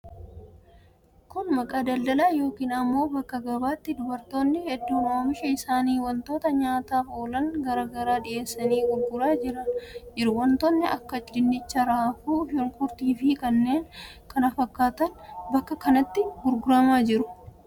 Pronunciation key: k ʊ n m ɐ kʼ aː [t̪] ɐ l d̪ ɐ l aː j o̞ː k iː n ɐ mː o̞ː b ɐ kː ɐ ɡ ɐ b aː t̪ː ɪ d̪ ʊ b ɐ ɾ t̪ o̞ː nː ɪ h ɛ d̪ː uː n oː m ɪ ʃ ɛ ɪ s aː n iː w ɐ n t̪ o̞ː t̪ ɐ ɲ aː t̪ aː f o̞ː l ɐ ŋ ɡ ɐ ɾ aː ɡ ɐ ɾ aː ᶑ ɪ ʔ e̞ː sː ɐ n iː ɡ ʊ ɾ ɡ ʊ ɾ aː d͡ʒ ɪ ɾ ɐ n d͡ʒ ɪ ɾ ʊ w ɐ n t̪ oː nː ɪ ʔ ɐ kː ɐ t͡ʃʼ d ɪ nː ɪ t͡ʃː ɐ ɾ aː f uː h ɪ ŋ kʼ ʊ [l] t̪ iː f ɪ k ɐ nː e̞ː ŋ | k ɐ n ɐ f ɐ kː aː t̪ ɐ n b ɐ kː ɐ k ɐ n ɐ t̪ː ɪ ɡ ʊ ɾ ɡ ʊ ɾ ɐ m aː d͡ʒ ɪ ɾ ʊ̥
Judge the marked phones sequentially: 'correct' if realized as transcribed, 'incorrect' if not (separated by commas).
incorrect, incorrect